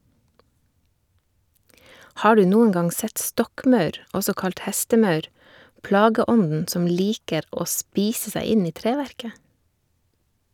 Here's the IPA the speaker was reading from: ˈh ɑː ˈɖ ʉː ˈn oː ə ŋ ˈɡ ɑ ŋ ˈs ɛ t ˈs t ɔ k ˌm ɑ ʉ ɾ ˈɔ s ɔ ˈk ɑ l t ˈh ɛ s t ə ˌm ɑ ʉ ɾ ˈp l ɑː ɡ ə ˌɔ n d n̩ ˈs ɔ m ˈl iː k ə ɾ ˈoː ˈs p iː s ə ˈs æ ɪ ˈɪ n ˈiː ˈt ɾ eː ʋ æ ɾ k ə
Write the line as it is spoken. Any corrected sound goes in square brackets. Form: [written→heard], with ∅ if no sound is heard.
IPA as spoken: ˈh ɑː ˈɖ ʉː ˈn [oː→uː] ə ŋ ˈɡ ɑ ŋ ˈs ɛ t ˈs t ɔ k ˌm ɑ ʉ ɾ ˈɔ s ɔ ˈk ɑ l t ˈh ɛ s t ə ˌm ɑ ʉ ɾ ˈp l ɑː ɡ ə ˌɔ n d n̩ ˈs ɔ m ˈl iː k ə ɾ ˈoː ˈs p iː s ə ˈs æ ɪ ˈɪ n ˈiː ˈt ɾ eː ʋ æ ɾ k ə